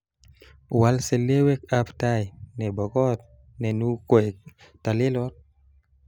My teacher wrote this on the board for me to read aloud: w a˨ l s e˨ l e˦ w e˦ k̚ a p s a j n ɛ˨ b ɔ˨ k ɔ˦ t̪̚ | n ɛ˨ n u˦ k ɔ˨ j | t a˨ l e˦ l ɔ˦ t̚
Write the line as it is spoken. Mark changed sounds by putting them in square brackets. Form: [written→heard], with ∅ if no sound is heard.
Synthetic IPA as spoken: w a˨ l s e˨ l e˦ w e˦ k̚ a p [s→t] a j n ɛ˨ b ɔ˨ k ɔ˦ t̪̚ | n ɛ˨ n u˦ k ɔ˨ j | t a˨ l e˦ l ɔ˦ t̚